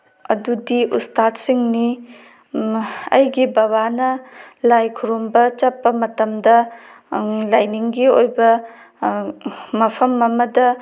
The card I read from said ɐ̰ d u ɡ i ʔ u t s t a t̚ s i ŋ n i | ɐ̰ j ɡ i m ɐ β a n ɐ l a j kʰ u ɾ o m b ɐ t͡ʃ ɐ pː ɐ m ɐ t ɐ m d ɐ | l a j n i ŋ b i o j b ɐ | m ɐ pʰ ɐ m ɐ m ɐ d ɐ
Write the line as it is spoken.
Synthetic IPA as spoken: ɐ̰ d u d i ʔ u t s t a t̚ s i ŋ n i | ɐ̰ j ɡ i b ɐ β a n ɐ l a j kʰ u ɾ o m b ɐ t͡ʃ ɐ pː ɐ m ɐ t ɐ m d ɐ | l a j n i ŋ ɡ i o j b ɐ | m ɐ pʰ ɐ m ɐ m ɐ d ɐ